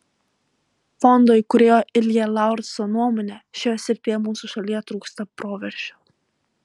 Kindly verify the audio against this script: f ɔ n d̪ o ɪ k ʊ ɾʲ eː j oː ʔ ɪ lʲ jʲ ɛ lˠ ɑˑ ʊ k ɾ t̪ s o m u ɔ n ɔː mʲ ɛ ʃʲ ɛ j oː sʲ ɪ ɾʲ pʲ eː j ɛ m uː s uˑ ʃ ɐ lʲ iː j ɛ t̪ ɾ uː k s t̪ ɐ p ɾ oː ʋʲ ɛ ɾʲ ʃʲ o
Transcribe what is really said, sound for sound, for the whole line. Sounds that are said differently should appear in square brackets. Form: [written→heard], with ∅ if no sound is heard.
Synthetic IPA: f ɔ n d̪ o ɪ k ʊ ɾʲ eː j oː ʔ ɪ lʲ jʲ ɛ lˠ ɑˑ ʊ [k→∅] ɾ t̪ s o [m→n] u ɔ [n→m] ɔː [mʲ→nʲ] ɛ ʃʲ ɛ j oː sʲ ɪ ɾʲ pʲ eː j ɛ m uː s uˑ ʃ ɐ lʲ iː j ɛ t̪ ɾ uː k s t̪ ɐ p ɾ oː ʋʲ ɛ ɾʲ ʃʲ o